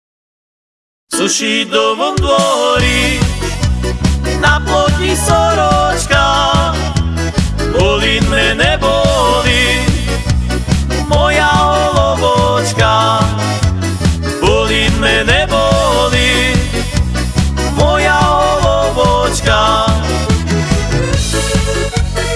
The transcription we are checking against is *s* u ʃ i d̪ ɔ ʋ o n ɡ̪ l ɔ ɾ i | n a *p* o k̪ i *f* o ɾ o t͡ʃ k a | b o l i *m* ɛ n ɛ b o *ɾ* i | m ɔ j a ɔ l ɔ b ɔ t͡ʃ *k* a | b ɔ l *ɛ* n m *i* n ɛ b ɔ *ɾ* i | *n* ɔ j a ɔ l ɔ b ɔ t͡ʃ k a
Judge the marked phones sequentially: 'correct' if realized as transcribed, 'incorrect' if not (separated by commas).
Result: correct, correct, incorrect, correct, incorrect, correct, incorrect, incorrect, incorrect, incorrect